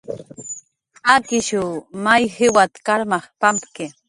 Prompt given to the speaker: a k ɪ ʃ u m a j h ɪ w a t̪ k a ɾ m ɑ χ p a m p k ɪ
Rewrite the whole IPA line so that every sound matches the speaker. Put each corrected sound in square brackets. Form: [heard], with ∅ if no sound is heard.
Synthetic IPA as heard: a k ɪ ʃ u m a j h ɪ w a t̪ k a ɾ m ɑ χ p a m p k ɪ

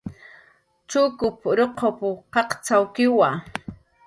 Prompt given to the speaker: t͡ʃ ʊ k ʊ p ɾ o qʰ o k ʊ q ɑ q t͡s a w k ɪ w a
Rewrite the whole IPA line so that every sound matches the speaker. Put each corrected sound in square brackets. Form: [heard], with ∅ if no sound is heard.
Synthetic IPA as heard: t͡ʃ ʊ k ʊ p ɾ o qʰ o [p] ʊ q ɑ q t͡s a w k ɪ w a

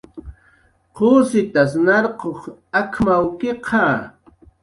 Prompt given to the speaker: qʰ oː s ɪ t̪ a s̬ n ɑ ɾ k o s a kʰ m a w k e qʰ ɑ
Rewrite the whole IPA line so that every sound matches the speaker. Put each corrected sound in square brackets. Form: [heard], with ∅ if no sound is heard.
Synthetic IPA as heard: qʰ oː s ɪ t̪ a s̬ n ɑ ɾ [q] o [χ] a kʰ m a w k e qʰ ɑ

